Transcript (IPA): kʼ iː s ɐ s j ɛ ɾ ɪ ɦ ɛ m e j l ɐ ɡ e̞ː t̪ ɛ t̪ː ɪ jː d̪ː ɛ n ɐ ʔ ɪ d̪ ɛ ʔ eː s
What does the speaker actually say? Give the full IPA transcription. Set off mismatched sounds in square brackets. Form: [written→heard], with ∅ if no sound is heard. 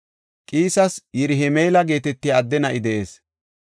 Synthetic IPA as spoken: kʼ iː s ɐ s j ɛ ɾ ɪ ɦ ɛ m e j l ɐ ɡ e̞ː t̪ ɛ t̪ː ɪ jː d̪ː ɛ n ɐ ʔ ɪ d̪ ɛ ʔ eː s

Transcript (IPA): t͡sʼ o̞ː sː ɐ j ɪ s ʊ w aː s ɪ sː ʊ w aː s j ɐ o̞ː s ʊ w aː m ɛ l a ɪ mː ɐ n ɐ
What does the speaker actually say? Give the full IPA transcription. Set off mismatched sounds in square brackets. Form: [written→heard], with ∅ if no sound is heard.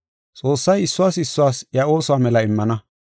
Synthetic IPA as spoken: t͡sʼ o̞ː sː ɐ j ɪ [s→sː] ʊ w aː s ɪ sː ʊ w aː s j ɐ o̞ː s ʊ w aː m ɛ l [a→ɐ] ɪ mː ɐ n ɐ

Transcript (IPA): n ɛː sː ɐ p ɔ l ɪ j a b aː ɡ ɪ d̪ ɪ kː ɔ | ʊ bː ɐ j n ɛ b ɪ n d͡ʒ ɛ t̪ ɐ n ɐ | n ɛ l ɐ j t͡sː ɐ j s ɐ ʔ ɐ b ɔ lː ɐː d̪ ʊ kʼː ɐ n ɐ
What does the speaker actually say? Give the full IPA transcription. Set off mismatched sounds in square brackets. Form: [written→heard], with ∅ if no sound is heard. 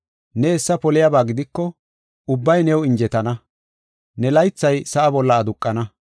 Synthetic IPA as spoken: n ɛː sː ɐ p ɔ l ɪ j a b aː ɡ ɪ d̪ ɪ kː ɔ | ʊ bː ɐ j n ɛ [b→w] ɪ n d͡ʒ ɛ t̪ ɐ n ɐ | n ɛ l ɐ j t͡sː ɐ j s ɐ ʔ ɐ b ɔ lː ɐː d̪ ʊ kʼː ɐ n ɐ

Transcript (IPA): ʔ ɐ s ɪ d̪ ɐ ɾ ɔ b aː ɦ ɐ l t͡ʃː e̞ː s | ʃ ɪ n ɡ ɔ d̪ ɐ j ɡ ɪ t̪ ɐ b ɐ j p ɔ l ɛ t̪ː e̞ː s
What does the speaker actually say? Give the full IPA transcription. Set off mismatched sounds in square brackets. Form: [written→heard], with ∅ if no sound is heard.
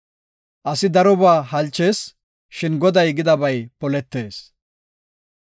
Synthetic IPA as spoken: ʔ ɐ s ɪ d̪ ɐ ɾ ɔ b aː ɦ ɐ l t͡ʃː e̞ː s | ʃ ɪ n ɡ ɔ d̪ ɐ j ɡ ɪ [t̪→d̪] ɐ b ɐ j p ɔ l ɛ t̪ː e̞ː s

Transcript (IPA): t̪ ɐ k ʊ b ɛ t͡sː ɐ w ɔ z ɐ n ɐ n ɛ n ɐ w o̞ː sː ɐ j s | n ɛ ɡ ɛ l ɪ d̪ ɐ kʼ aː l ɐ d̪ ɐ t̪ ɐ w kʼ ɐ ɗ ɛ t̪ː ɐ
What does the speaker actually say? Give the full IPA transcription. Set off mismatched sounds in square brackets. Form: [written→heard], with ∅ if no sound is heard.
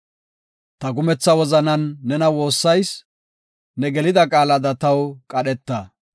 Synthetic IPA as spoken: t̪ ɐ [k→ɡ] ʊ [b→m] ɛ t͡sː ɐ w ɔ z ɐ n ɐ [n→nː] ɛ n ɐ w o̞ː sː ɐ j s | n ɛ ɡ ɛ l ɪ d̪ ɐ kʼ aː l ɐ d̪ ɐ t̪ ɐ w kʼ ɐ ɗ ɛ t̪ː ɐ

